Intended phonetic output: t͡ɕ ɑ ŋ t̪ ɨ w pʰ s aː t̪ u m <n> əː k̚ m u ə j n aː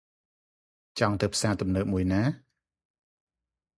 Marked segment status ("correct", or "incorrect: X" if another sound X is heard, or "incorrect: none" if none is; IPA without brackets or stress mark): correct